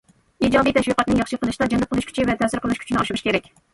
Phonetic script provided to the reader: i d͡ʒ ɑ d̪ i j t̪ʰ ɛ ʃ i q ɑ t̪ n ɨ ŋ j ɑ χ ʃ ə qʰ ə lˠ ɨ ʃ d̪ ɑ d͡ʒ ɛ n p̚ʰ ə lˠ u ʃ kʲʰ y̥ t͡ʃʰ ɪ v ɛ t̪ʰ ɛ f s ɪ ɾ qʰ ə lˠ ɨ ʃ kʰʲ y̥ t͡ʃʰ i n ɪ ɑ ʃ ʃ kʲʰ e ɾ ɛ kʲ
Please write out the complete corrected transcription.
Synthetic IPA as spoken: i d͡ʒ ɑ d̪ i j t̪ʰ ɛ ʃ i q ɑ t̪ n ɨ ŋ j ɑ χ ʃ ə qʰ ə lˠ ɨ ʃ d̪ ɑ d͡ʒ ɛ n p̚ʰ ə lˠ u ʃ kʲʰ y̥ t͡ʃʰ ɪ v ɛ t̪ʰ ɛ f s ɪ ɾ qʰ ə lˠ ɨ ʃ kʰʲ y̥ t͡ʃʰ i n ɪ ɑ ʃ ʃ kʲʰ e ɾ ɛ kʲ